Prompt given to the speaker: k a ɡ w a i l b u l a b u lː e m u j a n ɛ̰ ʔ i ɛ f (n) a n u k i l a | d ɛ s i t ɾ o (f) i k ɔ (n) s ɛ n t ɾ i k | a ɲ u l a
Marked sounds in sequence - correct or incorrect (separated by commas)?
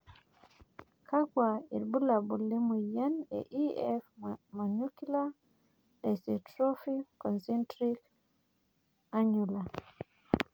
incorrect, correct, correct